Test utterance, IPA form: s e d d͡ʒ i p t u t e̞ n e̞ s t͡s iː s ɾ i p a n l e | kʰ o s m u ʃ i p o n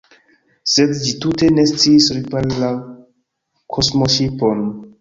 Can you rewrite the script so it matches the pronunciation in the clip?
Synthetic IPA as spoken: s e d d͡ʒ i t u t e̞ n e̞ s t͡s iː s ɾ i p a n l a | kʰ o s m o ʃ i p o n